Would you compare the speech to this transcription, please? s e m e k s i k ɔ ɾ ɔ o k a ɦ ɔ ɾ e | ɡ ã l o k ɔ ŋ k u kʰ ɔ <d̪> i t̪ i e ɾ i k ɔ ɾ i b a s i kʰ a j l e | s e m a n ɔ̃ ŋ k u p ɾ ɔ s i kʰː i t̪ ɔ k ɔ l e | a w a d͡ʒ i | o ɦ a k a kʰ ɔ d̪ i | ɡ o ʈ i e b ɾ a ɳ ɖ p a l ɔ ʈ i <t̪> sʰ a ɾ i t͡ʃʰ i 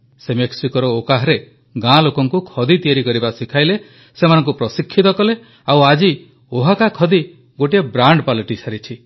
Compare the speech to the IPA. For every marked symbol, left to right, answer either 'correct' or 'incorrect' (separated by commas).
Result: correct, incorrect